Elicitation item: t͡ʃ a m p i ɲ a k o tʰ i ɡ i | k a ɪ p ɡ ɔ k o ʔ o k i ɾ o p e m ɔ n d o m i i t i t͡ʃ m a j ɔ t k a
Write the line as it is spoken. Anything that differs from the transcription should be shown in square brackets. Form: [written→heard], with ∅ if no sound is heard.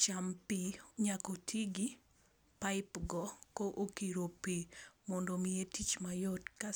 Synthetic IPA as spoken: t͡ʃ a m p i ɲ a k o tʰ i ɡ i | [k→p] a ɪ p ɡ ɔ k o ʔ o k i ɾ o p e m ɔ n d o m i [i→e] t i t͡ʃ m a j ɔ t k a